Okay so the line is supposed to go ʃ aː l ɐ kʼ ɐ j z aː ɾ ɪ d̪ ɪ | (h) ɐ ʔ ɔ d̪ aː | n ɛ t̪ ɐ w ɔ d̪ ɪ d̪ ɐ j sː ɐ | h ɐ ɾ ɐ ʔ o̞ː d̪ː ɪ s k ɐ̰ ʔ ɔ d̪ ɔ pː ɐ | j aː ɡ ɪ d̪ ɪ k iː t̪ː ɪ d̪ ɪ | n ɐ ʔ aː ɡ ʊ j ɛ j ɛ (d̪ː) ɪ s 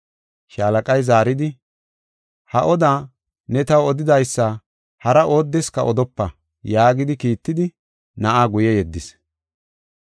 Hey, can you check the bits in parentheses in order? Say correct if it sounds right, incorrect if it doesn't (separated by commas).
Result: correct, correct